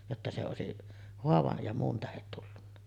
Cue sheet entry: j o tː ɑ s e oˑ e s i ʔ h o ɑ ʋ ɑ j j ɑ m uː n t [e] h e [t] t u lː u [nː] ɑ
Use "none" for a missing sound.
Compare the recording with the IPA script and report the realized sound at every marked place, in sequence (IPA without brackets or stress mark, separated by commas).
æ, t, nː